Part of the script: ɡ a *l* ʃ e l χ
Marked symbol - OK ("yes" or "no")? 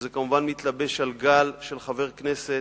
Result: yes